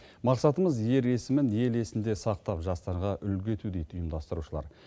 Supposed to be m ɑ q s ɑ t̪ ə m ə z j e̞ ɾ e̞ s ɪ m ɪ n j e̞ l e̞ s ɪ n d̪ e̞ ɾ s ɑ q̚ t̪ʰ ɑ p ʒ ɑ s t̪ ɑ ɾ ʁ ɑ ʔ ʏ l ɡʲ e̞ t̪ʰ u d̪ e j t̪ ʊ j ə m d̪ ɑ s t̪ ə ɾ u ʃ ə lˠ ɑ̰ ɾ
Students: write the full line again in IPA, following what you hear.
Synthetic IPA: m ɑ q s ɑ t̪ ə m ə z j e̞ ɾ e̞ s ɪ m ɪ n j e̞ l e̞ s ɪ n d̪ e̞ s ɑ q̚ t̪ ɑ p ʒ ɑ s t̪ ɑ ɾ ʁ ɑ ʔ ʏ l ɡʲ e̞ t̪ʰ u d̪ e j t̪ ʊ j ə m d̪ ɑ s t̪ ə ɾ u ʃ ə lˠ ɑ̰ ɾ